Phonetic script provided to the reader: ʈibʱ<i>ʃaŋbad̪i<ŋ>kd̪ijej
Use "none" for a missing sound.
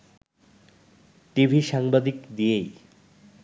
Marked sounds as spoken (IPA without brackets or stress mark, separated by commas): i, none